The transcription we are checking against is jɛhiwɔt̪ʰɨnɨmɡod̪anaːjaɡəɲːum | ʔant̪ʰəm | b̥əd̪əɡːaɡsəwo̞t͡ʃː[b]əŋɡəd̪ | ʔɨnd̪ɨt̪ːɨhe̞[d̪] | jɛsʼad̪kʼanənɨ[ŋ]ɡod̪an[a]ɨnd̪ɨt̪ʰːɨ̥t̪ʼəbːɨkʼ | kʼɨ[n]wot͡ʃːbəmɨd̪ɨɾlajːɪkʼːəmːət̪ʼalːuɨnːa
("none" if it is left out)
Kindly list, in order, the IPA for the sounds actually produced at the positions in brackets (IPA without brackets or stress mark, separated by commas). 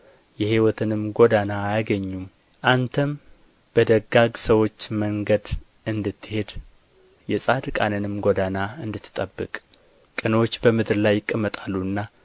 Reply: m, d̪, m, a, n